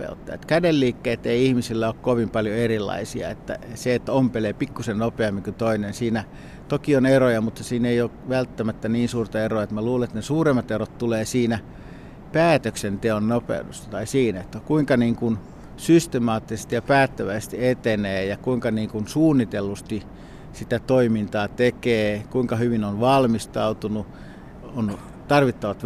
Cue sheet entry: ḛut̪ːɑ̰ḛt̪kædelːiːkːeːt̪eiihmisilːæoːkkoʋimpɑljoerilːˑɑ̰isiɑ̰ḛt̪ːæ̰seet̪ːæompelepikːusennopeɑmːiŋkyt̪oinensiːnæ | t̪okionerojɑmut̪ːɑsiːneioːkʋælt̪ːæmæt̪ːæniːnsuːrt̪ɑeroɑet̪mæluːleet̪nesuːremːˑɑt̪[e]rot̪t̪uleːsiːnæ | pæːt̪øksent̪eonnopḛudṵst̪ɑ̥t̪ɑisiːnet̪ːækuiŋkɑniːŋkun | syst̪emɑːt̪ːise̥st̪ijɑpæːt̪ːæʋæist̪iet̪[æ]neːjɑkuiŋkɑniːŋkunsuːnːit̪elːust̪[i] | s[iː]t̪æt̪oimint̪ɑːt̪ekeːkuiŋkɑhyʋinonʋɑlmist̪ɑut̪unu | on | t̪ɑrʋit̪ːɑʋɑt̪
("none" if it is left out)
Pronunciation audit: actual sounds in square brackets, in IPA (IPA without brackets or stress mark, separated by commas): e, e, i, i